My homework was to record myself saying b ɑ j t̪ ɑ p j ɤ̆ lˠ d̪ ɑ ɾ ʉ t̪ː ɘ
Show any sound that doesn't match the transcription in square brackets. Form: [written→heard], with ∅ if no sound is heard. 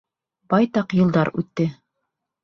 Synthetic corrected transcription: b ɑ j t̪ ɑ [p→q] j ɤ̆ lˠ d̪ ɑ ɾ ʉ t̪ː ɘ